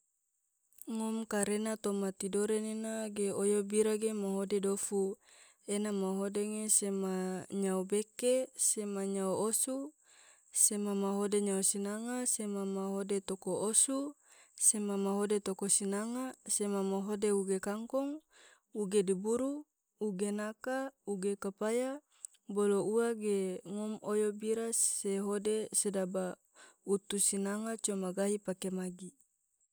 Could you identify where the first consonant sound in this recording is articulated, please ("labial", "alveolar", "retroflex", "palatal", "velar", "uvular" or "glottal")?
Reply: velar